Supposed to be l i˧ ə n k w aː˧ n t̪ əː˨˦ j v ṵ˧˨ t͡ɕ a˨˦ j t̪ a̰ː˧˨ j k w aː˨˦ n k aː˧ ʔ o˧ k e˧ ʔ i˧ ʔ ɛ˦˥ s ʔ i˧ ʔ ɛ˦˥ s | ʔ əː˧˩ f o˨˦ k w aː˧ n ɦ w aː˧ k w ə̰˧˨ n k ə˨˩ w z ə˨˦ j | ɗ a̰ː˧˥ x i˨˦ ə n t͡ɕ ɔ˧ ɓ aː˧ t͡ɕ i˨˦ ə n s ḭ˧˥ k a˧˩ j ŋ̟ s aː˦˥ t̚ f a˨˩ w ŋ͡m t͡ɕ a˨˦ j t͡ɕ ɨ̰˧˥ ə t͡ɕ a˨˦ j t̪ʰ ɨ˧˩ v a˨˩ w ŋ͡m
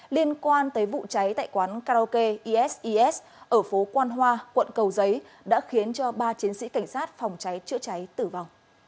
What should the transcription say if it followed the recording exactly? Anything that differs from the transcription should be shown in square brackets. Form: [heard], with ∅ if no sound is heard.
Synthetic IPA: l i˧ ə n k w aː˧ n t̪ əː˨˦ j v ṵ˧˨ t͡ɕ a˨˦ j t̪ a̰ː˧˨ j k w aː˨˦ n k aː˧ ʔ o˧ k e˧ ʔ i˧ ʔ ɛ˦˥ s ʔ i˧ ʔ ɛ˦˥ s | ʔ əː˧˩ f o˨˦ k w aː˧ n ɦ w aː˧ k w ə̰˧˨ n k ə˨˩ w z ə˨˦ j | ɗ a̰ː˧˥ x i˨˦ ə n t͡ɕ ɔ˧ ɓ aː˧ t͡ɕ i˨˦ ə n s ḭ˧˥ k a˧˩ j ŋ̟ s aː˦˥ t̚ f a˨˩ w ŋ͡m t͡ɕ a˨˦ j t͡ɕ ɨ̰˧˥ ə t͡ɕ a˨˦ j [t̪] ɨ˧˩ v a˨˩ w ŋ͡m